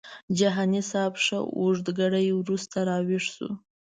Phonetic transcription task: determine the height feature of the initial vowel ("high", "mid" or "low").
low